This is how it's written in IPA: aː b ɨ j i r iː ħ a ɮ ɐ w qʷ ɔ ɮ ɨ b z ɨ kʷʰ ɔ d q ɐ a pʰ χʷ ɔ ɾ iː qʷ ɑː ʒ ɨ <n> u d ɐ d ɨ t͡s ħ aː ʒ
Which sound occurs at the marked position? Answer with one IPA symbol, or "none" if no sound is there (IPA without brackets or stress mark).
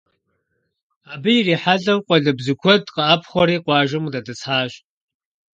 m